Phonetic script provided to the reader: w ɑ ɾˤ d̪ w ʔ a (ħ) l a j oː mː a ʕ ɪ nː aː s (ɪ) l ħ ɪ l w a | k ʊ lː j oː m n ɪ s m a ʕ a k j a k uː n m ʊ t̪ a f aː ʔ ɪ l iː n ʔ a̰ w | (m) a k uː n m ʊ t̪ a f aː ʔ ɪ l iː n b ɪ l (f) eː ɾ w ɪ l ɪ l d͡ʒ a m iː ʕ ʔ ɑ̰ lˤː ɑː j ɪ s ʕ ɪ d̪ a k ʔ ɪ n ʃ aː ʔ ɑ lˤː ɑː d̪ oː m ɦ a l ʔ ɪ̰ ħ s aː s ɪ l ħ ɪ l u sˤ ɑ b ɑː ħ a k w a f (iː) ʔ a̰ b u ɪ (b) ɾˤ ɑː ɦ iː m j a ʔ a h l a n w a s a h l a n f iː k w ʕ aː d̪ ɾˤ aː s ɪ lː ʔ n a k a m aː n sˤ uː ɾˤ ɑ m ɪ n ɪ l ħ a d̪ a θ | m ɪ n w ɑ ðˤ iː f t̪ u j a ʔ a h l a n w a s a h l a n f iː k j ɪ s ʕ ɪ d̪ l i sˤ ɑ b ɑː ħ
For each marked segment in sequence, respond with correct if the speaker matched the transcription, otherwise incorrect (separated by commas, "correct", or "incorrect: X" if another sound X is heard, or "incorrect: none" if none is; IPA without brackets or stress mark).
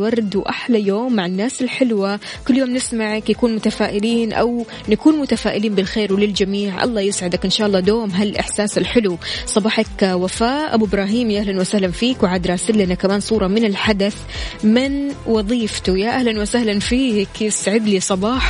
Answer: correct, correct, incorrect: n, incorrect: x, incorrect: aː, correct